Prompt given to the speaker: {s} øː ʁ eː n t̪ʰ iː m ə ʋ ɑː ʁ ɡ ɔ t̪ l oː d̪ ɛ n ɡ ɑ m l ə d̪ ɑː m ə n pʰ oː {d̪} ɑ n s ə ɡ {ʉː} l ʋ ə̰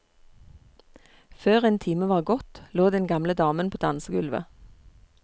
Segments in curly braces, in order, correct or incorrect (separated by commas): incorrect, correct, incorrect